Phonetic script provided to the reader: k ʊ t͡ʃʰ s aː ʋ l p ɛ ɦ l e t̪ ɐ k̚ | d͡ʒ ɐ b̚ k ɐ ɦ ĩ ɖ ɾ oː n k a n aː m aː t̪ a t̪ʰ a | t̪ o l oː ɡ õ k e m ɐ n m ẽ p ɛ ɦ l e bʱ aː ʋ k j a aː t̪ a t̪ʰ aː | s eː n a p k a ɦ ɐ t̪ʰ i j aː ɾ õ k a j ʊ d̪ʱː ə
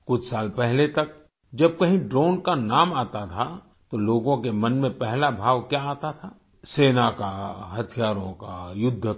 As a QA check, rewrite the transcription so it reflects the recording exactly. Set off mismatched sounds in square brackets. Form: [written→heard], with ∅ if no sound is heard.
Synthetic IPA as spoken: k ʊ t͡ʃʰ s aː [ʋ→∅] l p ɛ ɦ l e t̪ ɐ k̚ | d͡ʒ ɐ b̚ k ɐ ɦ ĩ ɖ ɾ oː n k a n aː m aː t̪ a t̪ʰ a | t̪ o l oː ɡ õ k e m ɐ n m ẽ p ɛ ɦ l [e→a] bʱ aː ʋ k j a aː t̪ a t̪ʰ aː | s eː n a [p→∅] k a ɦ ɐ t̪ʰ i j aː ɾ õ k a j ʊ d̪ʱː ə